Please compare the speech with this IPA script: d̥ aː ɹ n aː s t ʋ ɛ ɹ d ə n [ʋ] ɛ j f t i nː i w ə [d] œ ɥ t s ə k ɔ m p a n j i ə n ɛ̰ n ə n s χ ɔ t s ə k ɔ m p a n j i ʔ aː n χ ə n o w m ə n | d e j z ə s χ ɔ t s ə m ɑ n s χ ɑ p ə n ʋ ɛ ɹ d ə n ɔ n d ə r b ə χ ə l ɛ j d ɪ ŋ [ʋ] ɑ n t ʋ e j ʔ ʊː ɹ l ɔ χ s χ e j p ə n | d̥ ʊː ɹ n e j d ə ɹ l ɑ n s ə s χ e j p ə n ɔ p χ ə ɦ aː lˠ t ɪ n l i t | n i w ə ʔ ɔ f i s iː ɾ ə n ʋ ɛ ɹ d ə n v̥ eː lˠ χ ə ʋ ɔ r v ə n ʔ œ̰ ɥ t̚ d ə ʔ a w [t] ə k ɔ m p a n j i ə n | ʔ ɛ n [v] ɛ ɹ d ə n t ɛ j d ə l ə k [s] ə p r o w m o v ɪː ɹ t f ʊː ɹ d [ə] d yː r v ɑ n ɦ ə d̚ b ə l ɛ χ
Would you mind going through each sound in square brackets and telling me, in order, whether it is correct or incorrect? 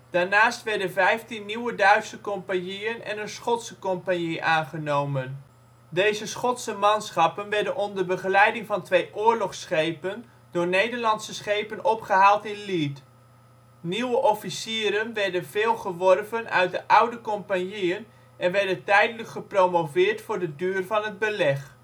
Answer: incorrect, correct, incorrect, incorrect, incorrect, incorrect, correct

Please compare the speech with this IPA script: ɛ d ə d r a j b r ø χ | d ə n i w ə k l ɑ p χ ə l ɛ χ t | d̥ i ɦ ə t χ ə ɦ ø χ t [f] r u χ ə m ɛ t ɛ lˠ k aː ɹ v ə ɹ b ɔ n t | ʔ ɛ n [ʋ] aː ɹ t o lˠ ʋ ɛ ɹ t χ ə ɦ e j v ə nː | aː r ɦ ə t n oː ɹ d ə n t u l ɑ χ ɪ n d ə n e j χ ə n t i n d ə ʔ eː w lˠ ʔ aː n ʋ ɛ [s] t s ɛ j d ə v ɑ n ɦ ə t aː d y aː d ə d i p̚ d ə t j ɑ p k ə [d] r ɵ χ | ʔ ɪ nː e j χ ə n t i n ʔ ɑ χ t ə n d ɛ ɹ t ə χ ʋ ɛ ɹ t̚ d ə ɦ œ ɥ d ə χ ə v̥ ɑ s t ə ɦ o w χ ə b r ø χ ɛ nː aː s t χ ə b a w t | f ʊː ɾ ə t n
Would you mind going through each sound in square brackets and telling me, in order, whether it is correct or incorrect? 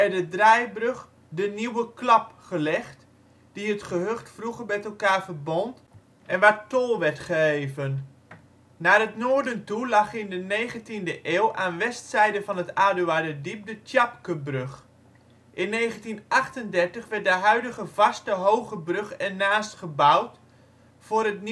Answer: correct, correct, correct, incorrect

